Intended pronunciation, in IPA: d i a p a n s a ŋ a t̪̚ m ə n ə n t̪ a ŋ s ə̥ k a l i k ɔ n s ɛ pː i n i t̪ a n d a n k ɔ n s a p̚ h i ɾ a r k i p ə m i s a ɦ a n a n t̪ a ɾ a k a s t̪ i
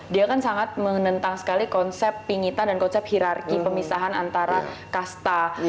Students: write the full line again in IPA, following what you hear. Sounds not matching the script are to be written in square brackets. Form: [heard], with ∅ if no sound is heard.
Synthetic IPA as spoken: d i a [k] a n s a ŋ a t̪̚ m ə n ə n t̪ a ŋ s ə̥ k a l i k ɔ n s ɛ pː i [ŋ] i t̪ a n d a n k ɔ n s [ɛ] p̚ h i ɾ a r k i p ə m i s a ɦ a n a n t̪ a ɾ a k a s t̪ [a]